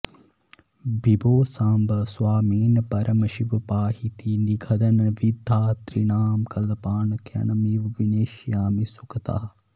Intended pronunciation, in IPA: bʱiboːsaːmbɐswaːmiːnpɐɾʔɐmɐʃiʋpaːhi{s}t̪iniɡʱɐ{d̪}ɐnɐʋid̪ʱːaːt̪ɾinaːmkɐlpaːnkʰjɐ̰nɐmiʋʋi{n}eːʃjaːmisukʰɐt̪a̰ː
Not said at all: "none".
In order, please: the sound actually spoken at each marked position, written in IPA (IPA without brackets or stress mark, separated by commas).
none, d̪, n